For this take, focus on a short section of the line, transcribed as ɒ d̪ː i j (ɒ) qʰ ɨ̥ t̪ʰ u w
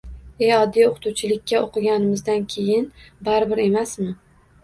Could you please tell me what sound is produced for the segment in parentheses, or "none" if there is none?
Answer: o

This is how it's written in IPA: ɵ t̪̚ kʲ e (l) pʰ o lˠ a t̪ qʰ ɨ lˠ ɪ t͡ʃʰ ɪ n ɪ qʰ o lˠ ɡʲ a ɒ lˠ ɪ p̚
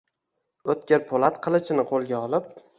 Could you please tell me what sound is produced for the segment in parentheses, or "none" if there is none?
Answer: ɾ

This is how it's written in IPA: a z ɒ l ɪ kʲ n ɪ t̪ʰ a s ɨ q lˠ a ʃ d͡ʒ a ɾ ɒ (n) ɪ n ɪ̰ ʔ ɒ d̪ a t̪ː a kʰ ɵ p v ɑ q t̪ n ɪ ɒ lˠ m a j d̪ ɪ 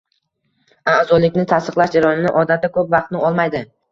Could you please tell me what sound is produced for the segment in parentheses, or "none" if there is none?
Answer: n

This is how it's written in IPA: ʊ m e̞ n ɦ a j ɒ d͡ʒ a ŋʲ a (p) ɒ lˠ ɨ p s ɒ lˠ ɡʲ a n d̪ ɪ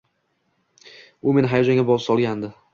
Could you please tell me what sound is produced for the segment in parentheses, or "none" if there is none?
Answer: b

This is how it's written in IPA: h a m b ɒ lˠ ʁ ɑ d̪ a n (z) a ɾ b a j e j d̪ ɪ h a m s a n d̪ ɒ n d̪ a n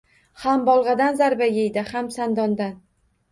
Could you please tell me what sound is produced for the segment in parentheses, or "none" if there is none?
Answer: z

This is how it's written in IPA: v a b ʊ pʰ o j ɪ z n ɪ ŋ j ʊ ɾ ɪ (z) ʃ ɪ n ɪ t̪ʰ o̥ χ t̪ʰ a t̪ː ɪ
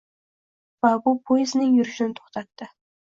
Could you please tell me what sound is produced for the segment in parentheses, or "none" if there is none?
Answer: none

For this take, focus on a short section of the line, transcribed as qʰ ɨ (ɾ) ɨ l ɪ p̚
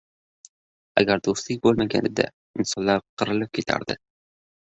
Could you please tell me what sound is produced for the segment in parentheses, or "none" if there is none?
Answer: ɾ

